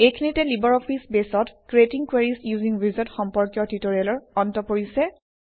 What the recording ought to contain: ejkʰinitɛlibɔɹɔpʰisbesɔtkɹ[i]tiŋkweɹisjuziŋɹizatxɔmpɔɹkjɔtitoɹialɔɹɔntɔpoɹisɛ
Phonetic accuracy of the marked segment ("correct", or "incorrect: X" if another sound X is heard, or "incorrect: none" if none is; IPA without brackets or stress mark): incorrect: e